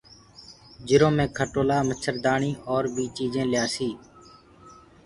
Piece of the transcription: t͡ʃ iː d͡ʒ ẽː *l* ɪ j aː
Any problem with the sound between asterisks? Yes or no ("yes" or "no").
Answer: no